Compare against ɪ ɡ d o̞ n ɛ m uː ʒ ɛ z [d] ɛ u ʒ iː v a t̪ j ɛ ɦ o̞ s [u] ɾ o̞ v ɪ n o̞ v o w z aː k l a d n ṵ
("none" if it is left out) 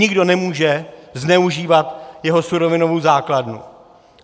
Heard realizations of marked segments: n, u

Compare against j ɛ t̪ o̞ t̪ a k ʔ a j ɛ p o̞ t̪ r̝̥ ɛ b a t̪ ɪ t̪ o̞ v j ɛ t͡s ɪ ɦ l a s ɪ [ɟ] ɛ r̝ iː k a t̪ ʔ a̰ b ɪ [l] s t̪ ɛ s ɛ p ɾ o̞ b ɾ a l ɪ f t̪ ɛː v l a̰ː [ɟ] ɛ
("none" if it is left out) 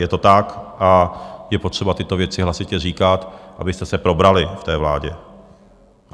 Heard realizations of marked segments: c, none, ɟ

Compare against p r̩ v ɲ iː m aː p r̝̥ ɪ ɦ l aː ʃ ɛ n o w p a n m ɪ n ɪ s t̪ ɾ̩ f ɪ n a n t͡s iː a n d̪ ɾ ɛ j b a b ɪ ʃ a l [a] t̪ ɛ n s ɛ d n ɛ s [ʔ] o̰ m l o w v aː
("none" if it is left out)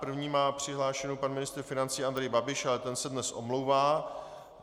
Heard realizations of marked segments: ɛ, ʔ

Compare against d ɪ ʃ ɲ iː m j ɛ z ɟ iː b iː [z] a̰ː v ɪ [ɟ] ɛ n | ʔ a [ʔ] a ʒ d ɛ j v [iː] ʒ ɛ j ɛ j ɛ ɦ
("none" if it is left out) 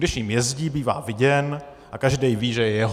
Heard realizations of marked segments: v, ɟ, k, iː

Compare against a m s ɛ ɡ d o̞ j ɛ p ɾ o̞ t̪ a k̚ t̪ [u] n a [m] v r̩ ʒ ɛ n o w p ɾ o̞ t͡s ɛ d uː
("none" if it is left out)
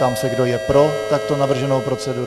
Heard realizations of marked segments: o, none

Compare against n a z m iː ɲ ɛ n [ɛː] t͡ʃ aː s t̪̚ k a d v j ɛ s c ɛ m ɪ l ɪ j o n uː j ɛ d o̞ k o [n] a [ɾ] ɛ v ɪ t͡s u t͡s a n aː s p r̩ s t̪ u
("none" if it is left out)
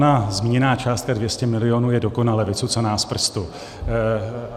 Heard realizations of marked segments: aː, n, l

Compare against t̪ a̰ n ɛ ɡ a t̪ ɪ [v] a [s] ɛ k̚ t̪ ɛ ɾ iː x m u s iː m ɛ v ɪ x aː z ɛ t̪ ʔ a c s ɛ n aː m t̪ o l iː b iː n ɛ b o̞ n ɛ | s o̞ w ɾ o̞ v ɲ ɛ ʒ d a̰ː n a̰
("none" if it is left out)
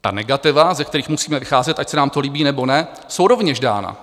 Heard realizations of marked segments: v, z

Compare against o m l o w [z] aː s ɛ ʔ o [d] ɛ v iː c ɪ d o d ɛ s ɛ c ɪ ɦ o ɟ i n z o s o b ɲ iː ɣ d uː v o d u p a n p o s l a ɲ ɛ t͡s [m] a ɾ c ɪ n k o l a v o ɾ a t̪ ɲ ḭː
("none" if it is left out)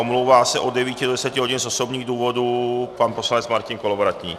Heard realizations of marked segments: v, d, m

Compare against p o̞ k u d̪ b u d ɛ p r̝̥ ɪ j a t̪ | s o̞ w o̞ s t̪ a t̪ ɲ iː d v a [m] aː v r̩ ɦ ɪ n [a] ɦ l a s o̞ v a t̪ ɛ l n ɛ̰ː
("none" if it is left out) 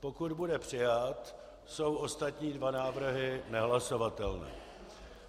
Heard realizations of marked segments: n, ɛ

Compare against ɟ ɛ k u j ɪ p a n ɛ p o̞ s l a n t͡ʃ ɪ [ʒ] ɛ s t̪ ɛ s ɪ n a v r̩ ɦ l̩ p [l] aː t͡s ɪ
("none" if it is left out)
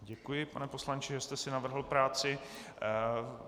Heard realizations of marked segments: ʒ, ɾ

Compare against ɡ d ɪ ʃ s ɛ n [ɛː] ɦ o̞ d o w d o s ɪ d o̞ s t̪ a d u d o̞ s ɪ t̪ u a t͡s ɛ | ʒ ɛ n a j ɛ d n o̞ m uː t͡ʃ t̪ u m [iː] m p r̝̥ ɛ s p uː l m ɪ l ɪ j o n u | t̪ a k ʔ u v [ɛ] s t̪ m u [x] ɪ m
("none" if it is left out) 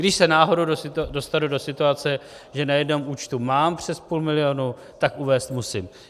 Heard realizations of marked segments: aː, aː, ɛː, s

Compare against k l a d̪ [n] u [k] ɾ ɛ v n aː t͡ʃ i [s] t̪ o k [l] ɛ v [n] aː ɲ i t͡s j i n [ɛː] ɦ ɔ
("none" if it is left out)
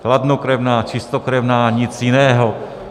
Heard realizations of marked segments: n, k, s, ɾ, n, ɛː

